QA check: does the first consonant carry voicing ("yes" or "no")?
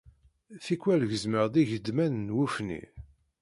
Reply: no